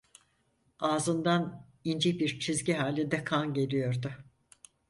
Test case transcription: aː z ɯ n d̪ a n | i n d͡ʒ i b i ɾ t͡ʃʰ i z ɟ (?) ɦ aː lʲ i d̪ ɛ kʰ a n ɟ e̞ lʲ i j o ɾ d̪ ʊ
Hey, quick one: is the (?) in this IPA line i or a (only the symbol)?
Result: i